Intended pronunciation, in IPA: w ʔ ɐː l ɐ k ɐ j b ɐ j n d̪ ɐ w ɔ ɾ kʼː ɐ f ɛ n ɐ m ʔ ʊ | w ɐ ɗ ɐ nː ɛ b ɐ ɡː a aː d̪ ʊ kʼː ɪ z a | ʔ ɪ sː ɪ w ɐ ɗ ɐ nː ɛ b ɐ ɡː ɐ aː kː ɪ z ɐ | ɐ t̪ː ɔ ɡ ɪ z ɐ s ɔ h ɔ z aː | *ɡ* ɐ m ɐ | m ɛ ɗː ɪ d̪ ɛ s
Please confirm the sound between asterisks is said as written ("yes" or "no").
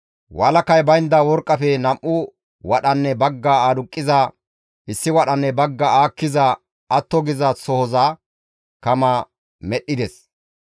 no